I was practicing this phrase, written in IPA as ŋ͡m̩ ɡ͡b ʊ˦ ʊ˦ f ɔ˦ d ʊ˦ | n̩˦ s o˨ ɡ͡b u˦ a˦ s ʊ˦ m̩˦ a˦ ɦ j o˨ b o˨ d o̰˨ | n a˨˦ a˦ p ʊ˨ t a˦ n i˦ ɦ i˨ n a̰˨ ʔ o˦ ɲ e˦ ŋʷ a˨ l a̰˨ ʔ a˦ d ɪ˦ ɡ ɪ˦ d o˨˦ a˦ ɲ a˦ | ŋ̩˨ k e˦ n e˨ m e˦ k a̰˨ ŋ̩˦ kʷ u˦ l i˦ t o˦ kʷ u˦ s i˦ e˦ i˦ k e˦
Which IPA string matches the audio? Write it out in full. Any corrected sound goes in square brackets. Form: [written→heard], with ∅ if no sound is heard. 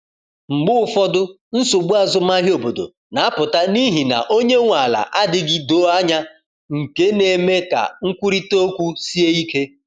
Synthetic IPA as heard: ŋ͡m̩ ɡ͡b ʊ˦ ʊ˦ f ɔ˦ d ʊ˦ | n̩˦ s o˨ ɡ͡b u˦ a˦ [s→z] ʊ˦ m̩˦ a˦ ɦ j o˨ b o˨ d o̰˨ | n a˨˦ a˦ p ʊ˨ t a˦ n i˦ ɦ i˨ n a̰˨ ʔ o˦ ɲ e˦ ŋʷ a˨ l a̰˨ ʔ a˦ d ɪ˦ ɡ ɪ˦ d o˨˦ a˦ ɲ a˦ | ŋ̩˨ k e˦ n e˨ m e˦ k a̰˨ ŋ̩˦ kʷ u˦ [l→ɾ] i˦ t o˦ kʷ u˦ s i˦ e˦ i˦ k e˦